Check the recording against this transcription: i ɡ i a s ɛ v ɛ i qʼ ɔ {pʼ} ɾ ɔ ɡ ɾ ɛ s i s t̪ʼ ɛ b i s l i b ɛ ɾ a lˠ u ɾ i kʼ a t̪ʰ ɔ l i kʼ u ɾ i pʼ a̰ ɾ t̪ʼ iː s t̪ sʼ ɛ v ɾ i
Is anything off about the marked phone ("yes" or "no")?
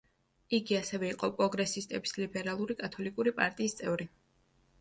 no